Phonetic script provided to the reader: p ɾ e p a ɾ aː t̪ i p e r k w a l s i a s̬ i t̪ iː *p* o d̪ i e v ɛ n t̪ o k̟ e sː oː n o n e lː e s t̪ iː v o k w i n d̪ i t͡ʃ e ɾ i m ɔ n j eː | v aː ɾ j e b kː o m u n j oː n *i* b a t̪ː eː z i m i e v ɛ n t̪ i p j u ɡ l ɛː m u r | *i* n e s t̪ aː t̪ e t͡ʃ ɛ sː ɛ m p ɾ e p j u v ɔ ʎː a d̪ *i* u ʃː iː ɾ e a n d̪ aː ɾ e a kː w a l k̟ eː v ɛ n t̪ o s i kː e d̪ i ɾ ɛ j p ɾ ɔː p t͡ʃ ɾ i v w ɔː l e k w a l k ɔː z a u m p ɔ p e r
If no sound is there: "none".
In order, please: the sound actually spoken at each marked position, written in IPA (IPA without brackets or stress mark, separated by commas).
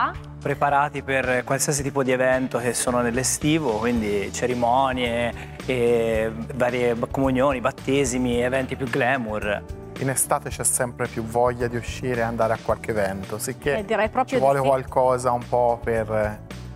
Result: p, i, i, i